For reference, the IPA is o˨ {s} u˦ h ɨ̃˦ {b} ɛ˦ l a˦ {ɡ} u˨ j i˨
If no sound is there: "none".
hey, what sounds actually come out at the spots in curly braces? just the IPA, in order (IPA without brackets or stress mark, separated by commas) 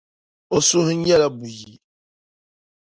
s, none, b